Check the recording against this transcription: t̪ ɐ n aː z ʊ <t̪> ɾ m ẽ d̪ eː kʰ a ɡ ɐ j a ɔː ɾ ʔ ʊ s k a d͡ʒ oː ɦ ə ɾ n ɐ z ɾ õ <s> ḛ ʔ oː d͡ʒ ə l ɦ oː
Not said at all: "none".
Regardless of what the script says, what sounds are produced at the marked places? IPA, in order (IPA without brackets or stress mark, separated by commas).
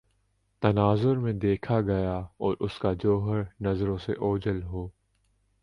none, s